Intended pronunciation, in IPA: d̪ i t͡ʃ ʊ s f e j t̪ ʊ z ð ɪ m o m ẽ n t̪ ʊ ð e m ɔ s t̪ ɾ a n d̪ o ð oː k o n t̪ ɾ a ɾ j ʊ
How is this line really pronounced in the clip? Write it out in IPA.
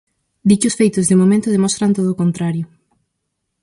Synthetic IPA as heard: d̪ i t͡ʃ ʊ s f e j t̪ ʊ z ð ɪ m o m ẽ n t̪ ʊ ð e m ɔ s t̪ ɾ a n t̪ o ð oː k o n t̪ ɾ a ɾ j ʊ